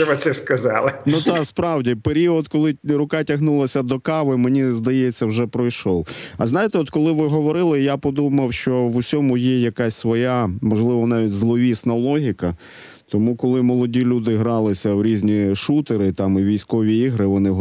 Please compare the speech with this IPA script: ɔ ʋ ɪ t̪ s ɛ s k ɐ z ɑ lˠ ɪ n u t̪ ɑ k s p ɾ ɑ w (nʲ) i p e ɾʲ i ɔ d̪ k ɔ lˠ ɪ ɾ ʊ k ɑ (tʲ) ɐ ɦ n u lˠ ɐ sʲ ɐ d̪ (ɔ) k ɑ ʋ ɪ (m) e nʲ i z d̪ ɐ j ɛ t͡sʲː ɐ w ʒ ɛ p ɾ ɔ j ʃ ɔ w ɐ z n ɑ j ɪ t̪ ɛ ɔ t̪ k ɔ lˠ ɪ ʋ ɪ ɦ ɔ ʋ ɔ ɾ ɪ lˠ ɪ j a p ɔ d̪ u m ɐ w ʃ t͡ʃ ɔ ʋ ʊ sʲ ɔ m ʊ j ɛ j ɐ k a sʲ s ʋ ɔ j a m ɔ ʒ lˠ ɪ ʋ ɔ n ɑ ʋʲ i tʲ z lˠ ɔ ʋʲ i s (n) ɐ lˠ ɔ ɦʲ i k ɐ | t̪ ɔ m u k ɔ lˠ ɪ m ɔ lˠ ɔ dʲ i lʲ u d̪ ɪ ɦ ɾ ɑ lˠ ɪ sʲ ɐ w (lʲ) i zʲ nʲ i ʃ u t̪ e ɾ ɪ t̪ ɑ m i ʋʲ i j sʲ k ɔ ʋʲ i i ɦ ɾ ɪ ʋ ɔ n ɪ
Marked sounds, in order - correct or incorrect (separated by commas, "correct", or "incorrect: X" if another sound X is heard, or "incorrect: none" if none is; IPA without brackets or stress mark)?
incorrect: dʲ, correct, correct, correct, correct, incorrect: ɾʲ